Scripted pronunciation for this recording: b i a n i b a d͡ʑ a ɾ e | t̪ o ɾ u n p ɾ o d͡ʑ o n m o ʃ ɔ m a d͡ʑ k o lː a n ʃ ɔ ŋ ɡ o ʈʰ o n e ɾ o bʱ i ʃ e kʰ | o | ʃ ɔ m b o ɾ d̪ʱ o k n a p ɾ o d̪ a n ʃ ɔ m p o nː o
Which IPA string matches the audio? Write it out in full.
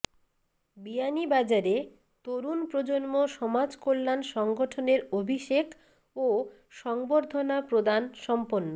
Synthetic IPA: b i a n i b a d͡ʑ a ɾ e | t̪ o ɾ u n p ɾ o d͡ʑ o n m o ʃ ɔ m a d͡ʑ k o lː a n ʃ ɔ ŋ ɡ o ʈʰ o n e ɾ o bʱ i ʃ e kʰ | o | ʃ ɔ ŋ b o ɾ d̪ʱ o n a p ɾ o d̪ a n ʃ ɔ m p o nː o